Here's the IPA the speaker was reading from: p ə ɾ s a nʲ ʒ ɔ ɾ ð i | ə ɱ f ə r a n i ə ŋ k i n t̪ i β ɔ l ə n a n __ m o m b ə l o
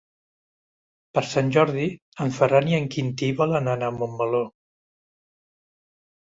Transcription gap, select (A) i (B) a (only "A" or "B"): B